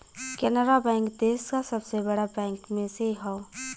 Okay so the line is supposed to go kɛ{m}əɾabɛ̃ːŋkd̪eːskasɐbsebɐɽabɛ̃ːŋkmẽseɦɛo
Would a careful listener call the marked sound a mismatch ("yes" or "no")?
yes